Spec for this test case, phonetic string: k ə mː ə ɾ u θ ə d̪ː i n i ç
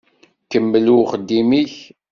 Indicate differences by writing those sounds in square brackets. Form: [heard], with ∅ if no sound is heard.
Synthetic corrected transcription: k ə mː ə [l] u [χ] ə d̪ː i [m] i ç